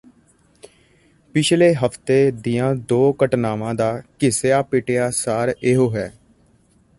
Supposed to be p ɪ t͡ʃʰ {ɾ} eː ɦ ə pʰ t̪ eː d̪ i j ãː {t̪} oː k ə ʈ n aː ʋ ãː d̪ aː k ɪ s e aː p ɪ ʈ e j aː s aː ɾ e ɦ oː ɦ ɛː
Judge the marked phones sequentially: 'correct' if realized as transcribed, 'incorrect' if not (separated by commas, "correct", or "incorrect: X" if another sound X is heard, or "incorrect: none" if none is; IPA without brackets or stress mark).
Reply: incorrect: l, incorrect: d̪